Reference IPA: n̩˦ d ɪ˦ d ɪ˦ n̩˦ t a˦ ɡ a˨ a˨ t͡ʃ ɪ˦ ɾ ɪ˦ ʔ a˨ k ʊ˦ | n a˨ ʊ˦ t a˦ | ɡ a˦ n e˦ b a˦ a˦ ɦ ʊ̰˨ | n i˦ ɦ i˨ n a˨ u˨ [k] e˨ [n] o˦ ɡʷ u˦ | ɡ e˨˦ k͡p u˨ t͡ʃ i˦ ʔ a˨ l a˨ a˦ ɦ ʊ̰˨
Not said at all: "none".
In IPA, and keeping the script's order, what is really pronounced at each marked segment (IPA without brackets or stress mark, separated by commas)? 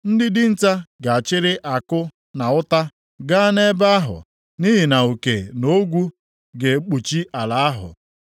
k, n